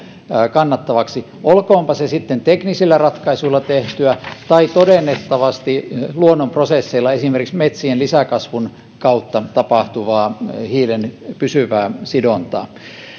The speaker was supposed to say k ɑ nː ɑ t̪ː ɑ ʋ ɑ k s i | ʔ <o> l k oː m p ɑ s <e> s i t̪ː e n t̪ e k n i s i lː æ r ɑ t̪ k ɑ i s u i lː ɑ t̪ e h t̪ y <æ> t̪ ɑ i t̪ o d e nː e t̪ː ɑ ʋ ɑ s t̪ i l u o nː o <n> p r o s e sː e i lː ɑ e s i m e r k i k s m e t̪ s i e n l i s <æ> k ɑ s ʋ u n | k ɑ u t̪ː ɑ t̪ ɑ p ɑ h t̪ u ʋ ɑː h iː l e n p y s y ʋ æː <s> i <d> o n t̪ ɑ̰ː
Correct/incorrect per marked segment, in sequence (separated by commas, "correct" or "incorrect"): correct, correct, correct, incorrect, correct, correct, correct